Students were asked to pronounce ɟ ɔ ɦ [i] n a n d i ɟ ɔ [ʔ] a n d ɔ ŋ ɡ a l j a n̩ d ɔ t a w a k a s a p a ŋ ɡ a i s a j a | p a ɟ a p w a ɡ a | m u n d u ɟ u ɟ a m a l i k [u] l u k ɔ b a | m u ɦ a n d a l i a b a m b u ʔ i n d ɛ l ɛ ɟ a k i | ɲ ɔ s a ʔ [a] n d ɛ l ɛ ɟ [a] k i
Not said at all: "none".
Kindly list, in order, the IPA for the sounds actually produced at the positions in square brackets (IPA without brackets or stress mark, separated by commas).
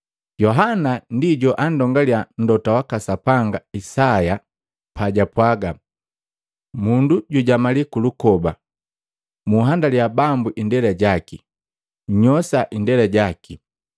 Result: a, ʔ, u, i, a